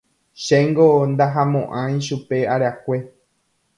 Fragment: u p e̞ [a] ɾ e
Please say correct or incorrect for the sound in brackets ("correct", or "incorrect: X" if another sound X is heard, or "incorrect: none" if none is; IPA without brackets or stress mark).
correct